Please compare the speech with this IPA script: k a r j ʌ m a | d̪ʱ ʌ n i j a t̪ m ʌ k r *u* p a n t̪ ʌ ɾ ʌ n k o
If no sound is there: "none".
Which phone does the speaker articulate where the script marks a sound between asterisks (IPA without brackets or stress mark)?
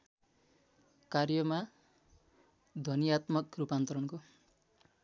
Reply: u